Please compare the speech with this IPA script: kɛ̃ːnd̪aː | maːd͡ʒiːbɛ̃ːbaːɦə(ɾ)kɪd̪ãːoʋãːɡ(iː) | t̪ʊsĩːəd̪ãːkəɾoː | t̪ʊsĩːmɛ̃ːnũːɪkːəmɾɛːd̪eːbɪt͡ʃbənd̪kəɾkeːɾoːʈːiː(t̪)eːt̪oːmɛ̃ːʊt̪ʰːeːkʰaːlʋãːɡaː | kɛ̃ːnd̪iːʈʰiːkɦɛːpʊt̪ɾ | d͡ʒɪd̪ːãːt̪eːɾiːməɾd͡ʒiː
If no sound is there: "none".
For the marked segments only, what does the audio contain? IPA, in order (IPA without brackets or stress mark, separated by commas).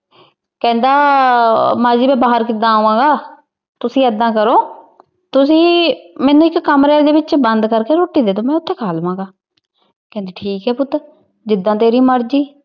ɾ, aː, d̪